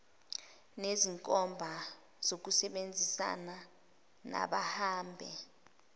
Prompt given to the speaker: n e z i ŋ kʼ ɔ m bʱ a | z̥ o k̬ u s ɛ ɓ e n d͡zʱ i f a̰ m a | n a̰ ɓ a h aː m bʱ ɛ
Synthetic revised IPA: n e z i ŋ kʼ ɔ m bʱ a | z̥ o k̬ u s ɛ ɓ e n d͡zʱ i s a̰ n a | n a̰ ɓ a h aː m bʱ ɛ